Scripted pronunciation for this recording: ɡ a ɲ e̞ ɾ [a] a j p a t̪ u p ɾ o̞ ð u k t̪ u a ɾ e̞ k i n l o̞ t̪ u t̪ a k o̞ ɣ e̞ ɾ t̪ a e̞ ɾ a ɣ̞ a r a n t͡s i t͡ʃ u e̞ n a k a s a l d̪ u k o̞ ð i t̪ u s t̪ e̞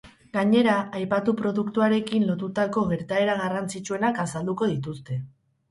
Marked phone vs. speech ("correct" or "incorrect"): correct